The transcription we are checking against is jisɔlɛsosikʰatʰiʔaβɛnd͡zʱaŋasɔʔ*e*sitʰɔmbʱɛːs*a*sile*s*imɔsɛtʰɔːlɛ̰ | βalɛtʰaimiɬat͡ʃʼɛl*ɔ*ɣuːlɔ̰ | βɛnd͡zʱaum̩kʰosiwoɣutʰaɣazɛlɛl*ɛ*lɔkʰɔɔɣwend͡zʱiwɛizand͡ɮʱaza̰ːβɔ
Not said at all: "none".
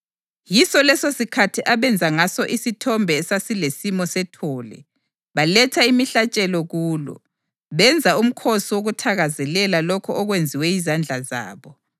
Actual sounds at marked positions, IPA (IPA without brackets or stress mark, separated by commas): i, a, s, ɔ, a